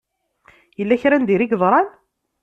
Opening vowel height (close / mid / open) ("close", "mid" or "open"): mid